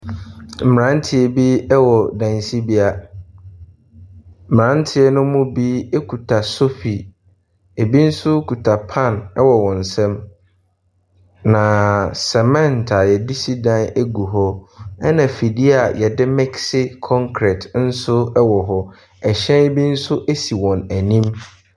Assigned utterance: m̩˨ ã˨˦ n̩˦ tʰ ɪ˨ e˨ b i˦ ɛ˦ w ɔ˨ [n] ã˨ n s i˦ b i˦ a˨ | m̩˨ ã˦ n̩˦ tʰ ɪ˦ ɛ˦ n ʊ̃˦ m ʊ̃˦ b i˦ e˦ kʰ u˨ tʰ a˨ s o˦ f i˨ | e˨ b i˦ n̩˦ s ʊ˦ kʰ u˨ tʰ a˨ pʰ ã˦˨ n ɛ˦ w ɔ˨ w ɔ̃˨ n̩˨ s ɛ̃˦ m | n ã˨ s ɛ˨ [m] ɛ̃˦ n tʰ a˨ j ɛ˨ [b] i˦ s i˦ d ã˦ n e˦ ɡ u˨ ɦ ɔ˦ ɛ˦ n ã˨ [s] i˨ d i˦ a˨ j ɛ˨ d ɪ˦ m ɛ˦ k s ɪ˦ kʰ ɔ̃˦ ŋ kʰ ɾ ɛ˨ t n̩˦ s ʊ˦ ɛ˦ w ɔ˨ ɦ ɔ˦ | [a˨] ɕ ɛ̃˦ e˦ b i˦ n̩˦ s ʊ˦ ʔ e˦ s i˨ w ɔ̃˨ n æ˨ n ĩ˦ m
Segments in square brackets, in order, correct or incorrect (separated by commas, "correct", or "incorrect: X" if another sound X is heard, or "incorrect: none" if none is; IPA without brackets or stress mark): incorrect: d, correct, incorrect: d, incorrect: f, incorrect: ɛ˨